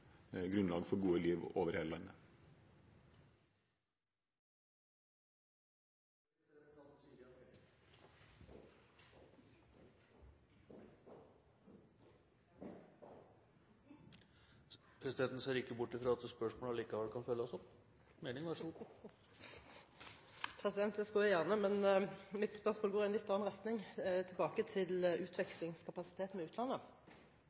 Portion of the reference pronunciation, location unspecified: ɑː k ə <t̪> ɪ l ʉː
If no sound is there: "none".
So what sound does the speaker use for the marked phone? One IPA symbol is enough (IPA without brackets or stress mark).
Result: t̪ʰ